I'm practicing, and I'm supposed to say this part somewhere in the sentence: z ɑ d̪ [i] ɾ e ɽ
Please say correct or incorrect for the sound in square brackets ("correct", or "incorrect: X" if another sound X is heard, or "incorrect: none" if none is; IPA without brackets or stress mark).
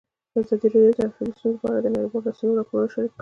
correct